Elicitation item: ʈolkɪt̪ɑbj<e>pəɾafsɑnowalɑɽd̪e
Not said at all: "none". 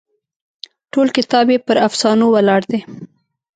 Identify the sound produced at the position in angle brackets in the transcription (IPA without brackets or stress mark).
e